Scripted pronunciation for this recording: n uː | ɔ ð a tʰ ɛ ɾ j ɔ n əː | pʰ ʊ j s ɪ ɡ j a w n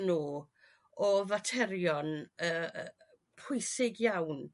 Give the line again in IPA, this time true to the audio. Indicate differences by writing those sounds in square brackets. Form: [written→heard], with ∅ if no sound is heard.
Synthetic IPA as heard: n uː | ɔ [ð→v] a tʰ ɛ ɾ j ɔ n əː | pʰ ʊ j s ɪ ɡ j a w n